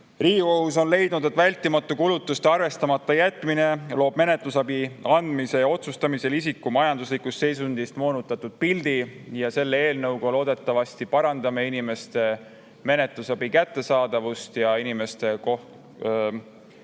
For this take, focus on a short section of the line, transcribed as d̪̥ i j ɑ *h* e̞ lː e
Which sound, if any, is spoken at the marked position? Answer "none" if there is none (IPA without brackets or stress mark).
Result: s